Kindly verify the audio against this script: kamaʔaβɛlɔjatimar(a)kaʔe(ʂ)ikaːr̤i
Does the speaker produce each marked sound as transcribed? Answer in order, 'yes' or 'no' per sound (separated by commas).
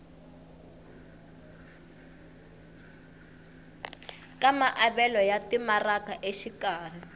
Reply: yes, no